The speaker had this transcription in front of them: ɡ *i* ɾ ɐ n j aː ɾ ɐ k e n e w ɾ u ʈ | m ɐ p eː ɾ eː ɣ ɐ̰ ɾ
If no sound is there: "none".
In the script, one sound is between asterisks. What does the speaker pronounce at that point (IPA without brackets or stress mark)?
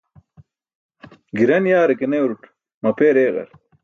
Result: i